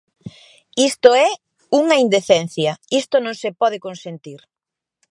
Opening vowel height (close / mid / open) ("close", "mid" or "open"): close